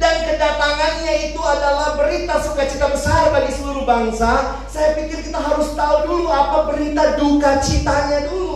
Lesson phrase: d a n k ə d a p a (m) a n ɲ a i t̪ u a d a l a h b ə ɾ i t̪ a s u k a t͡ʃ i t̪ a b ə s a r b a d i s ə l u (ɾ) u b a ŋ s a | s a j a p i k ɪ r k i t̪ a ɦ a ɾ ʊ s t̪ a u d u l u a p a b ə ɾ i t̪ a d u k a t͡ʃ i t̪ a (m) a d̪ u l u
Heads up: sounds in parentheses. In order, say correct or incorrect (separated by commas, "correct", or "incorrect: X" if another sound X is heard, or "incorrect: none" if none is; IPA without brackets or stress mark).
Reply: incorrect: ŋ, correct, incorrect: ɲ